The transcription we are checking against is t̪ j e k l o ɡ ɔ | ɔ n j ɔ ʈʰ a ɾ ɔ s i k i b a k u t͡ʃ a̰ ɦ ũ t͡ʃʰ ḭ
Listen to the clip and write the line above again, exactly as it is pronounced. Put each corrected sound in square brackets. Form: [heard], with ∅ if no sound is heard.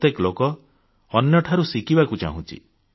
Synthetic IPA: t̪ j e k l o [k] ɔ | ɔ n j ɔ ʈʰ a ɾ [u] s i k i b a k u t͡ʃ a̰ ɦ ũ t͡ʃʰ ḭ